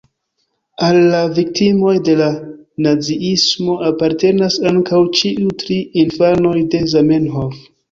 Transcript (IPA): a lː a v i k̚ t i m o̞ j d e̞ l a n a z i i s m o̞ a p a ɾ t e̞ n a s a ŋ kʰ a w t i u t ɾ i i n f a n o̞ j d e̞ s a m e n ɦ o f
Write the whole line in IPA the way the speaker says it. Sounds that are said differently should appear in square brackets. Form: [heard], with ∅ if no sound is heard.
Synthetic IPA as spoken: a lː a v i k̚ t i m o̞ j d e̞ l a n a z i i s m o̞ a p a ɾ t e̞ n a s a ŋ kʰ a w [t͡ʃ] i u t ɾ i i n f a n o̞ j d e̞ [z] a m e n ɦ o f